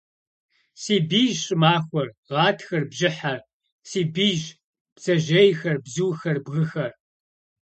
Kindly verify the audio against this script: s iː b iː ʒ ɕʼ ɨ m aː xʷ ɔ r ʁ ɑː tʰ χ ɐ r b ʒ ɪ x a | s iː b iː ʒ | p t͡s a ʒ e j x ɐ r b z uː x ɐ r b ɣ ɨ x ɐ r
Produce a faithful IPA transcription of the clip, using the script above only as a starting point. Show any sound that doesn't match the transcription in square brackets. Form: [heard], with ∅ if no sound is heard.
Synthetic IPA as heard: s iː b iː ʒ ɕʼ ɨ m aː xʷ ɔ r ʁ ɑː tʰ [x] ɐ r b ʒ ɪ [ħ] a | s iː b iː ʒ | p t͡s [ɐ] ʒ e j x ɐ r b z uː x ɐ r b ɣ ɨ x ɐ r